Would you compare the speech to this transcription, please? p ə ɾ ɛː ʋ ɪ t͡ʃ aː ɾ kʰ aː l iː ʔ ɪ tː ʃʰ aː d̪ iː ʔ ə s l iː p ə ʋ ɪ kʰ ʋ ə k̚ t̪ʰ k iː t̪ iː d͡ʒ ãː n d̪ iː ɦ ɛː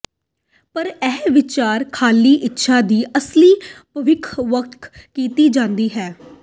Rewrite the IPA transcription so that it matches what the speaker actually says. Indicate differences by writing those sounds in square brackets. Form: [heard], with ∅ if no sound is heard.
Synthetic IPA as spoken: p ə ɾ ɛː ʋ ɪ t͡ʃ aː ɾ kʰ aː l iː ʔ ɪ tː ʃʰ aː d̪ iː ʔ ə s l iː p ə ʋ ɪ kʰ ʋ ə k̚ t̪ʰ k iː t̪ iː d͡ʒ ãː n d̪ iː ɦ ɛː